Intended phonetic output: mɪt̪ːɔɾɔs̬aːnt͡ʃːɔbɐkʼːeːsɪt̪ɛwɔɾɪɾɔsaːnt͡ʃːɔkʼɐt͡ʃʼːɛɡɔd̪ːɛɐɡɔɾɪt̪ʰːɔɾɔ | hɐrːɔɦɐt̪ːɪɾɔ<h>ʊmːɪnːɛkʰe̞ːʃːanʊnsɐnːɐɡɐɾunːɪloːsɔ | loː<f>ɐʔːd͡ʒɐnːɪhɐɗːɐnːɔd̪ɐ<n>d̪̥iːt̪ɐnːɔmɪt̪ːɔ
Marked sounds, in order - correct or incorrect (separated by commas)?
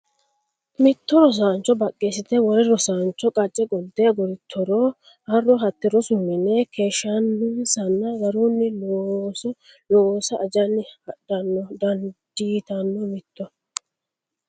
incorrect, incorrect, correct